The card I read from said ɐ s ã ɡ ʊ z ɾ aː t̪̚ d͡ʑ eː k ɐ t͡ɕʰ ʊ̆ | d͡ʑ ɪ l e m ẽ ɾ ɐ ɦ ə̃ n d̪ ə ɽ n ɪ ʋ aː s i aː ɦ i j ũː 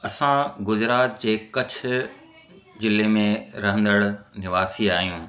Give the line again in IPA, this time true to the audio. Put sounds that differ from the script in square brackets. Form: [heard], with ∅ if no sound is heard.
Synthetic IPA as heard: ɐ s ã ɡ ʊ z ɾ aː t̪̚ d͡ʑ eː k ɐ t͡ɕʰ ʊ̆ | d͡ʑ ɪ l e m ẽ ɾ ɐ ɦ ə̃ n d̪ ə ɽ n ɪ ʋ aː s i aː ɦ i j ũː